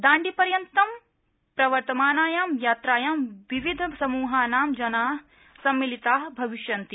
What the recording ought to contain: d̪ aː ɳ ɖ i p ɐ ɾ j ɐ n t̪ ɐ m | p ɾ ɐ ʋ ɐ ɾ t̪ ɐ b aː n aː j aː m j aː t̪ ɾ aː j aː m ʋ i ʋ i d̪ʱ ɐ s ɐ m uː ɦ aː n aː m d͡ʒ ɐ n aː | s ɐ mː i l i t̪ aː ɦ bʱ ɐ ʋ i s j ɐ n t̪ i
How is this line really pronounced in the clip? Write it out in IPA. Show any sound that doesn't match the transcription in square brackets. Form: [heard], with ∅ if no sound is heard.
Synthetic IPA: d̪ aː ɳ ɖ i p ɐ ɾ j ɐ n t̪ ɐ m | p ɾ ɐ ʋ ɐ ɾ t̪ ɐ [m] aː n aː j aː m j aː t̪ ɾ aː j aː m ʋ i ʋ i d̪ʱ ɐ s ɐ m uː ɦ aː n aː m d͡ʒ ɐ n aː | s ɐ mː i l i t̪ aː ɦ bʱ ɐ ʋ i [ʃ] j ɐ n t̪ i